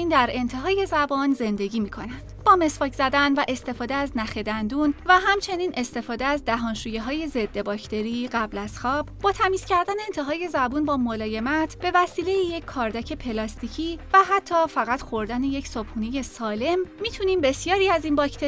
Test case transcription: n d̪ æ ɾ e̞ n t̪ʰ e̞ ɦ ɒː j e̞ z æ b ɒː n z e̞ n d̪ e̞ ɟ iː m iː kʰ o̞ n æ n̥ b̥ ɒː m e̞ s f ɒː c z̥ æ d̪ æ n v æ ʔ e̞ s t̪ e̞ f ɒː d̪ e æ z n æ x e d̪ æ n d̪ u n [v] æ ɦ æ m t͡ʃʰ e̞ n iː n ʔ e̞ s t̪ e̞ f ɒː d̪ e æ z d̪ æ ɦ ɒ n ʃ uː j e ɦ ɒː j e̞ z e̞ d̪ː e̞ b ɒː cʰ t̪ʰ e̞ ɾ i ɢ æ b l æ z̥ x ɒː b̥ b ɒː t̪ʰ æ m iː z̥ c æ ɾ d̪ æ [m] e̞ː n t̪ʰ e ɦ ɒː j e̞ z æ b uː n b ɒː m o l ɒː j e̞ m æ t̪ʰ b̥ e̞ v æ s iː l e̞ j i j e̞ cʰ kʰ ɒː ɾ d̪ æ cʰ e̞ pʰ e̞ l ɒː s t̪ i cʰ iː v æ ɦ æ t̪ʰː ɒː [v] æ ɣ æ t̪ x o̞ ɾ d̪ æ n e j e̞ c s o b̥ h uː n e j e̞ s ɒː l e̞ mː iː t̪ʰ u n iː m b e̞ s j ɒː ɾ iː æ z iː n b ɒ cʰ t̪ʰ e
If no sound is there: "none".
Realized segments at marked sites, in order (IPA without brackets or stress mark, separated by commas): v, n, f